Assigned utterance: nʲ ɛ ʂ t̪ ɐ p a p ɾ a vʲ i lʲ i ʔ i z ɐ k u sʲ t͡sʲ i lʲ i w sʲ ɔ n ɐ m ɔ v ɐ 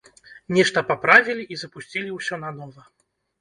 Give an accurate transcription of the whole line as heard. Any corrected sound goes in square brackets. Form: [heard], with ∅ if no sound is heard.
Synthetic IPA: nʲ ɛ ʂ t̪ ɐ p a p ɾ a vʲ i lʲ i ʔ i z ɐ [p] u sʲ t͡sʲ i lʲ i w sʲ ɔ n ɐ [n] ɔ v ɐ